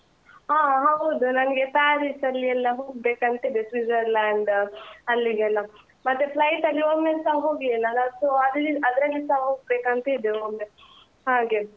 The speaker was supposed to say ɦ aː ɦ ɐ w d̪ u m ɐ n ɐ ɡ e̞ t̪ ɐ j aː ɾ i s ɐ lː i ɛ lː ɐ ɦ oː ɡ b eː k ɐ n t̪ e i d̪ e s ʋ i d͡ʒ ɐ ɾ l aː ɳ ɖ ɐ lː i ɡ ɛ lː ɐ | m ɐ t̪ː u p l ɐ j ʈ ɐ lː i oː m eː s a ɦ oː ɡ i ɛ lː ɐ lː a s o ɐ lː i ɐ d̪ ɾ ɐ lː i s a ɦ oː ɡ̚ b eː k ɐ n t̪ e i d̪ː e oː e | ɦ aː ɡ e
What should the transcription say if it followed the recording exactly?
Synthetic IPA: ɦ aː ɦ ɐ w d̪ u n ɐ n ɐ ɡ e̞ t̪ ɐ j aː ɾ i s ɐ lː i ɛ lː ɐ ɦ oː ɡ b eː k ɐ n t̪ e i d̪ e s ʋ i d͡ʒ ɐ ɾ l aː ɳ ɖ ɐ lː i ɡ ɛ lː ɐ | m ɐ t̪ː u p l ɐ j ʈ ɐ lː i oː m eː s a ɦ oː ɡ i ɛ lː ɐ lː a s o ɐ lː i ɐ d̪ ɾ ɐ lː i s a ɦ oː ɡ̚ b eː k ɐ n t̪ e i d̪ e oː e | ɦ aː ɡ e

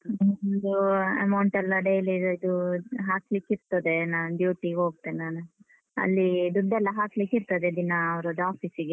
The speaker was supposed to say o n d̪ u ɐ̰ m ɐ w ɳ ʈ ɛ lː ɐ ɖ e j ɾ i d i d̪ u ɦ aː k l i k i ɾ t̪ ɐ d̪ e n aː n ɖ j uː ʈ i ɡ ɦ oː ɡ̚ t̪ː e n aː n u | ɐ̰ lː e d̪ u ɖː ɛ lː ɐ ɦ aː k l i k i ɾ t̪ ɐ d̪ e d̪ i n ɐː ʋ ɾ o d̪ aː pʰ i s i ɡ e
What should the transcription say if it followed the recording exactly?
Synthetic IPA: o n d̪ u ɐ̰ m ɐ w ɳ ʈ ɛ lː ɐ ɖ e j l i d i d̪ u ɦ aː k l i k i ɾ t̪ ɐ d̪ e n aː n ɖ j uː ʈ i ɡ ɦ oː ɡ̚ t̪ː e n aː n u | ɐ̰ lː i d̪ u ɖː ɛ lː ɐ ɦ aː k l i k i ɾ t̪ ɐ d̪ e d̪ i n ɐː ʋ ɾ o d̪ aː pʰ i s i ɡ e

